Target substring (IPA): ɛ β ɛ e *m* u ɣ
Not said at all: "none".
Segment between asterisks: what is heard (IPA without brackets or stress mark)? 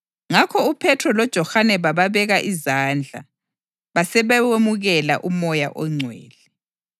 m